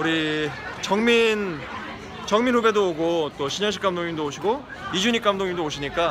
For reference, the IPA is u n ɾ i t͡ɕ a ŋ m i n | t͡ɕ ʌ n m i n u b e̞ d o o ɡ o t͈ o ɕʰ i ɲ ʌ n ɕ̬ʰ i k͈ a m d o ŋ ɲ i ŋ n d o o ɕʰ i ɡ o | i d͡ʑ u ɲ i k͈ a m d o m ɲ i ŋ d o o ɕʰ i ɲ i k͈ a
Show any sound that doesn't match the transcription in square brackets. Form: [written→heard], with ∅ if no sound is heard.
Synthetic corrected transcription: u [n→∅] ɾ i t͡ɕ [a→ʌ] ŋ m i n | t͡ɕ ʌ [n→ŋ] m i n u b e̞ d o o ɡ o t͈ o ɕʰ i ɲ ʌ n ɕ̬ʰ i k͈ a m d o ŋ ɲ i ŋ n d o o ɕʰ i ɡ o | i d͡ʑ u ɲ i k͈ a m d o [m→ŋ] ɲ i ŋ d o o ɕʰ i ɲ i k͈ a